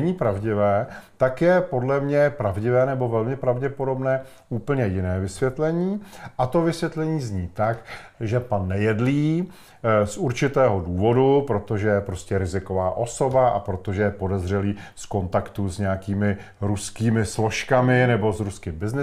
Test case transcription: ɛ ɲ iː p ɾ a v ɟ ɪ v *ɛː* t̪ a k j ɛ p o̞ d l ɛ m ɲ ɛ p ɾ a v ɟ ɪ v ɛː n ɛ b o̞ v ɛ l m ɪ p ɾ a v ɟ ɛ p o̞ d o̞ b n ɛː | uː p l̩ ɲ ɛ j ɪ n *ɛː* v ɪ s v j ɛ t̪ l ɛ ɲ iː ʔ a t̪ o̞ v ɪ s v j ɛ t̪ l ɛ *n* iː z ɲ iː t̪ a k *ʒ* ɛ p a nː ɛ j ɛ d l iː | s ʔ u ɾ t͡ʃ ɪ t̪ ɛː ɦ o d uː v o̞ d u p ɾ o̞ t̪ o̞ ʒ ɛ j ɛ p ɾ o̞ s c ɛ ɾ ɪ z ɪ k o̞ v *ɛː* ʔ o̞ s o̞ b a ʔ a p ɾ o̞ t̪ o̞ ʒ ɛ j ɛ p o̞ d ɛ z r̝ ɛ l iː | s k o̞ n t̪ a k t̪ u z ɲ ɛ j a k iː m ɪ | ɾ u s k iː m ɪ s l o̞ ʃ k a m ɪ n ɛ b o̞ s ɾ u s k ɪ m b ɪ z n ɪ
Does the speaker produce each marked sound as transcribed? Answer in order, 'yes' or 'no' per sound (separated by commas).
yes, yes, no, yes, no